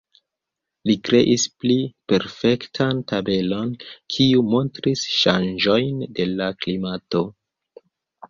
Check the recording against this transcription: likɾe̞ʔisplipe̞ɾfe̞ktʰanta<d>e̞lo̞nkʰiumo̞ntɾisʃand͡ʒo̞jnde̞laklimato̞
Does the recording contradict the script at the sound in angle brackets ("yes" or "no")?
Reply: yes